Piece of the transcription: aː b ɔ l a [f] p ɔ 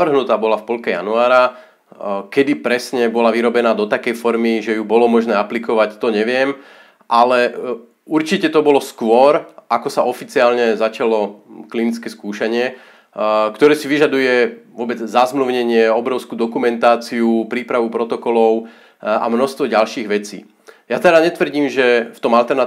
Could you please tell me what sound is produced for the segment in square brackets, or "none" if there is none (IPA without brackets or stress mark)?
f